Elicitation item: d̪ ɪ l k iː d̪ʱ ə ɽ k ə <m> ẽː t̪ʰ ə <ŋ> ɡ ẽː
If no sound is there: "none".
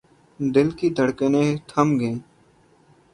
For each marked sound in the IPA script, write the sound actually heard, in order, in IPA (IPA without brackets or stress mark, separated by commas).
n, m